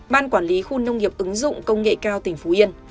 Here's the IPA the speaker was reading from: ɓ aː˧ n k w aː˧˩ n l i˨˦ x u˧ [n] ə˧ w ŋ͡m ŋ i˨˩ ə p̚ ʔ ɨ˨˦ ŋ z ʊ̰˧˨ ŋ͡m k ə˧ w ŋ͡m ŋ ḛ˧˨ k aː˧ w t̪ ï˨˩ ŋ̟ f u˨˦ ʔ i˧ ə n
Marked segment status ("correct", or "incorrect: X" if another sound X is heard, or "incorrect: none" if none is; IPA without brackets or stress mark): correct